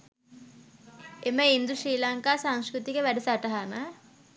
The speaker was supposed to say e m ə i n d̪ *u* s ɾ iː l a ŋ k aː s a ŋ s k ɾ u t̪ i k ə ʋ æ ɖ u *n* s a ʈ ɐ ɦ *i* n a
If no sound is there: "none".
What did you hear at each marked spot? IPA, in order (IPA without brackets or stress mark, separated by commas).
u, none, a